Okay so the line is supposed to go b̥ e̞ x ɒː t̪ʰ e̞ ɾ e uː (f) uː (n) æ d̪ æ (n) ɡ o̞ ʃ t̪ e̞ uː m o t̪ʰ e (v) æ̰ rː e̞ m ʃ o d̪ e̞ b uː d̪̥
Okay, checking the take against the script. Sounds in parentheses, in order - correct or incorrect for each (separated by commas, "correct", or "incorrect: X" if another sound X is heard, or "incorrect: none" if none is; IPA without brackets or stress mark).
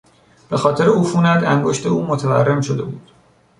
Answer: correct, correct, incorrect: ŋ, correct